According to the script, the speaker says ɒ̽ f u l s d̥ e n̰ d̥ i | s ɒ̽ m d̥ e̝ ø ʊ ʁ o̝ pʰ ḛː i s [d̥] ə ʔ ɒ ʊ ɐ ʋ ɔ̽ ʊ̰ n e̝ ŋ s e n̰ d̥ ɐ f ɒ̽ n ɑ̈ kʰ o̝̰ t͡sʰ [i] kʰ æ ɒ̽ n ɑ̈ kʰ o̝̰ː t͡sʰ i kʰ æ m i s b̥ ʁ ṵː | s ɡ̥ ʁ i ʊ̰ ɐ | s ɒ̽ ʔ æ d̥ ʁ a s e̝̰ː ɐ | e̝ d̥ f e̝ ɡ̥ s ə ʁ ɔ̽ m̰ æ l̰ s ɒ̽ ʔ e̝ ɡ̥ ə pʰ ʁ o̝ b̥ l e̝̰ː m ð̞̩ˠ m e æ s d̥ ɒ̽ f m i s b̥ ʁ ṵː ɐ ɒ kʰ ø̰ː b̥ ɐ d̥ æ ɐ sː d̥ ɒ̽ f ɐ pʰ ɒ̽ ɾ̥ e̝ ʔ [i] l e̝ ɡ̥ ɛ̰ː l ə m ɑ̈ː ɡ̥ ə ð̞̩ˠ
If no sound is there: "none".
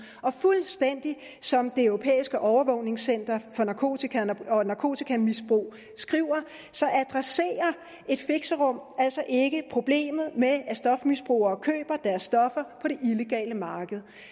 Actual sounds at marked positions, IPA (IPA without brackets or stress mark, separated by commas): ɡ̥, i, i